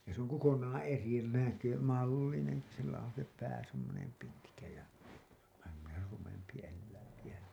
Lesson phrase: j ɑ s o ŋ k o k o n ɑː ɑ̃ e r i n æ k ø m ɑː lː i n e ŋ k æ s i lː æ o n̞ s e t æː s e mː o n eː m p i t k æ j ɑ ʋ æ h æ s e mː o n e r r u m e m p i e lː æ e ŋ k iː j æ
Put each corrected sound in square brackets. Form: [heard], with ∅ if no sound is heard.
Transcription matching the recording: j ɑ s o ŋ k o k o n ɑː ɑ̃ e r i n æ k ø m [ɑ] lː i n e ŋ k [i] s i lː æ o n̞ s e [p] æː s e mː o n [e] m p i t k æ j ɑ ʋ æ h æ s e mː o n e r r u m e m p i e lː æ [i] ŋ k [i] j æ